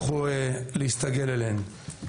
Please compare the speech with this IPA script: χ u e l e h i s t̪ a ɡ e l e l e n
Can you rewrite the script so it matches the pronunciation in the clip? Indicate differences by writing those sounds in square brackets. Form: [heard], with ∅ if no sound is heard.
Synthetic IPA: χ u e l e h i s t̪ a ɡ e l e l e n